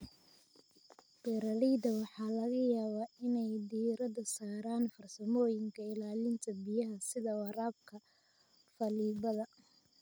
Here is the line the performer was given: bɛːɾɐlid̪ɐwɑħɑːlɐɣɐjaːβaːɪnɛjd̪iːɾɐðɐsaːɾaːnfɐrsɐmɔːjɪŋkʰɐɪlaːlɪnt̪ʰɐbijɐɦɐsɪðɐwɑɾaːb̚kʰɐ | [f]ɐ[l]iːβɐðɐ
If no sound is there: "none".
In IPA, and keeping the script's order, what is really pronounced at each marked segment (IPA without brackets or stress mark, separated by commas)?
f, l